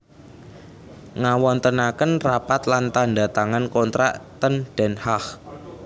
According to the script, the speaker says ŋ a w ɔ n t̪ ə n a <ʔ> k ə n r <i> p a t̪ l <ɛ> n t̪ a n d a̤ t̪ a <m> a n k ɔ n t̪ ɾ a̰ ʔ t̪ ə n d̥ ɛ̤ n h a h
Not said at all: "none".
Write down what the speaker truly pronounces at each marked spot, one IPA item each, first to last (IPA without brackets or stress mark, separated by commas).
none, a, a, ŋ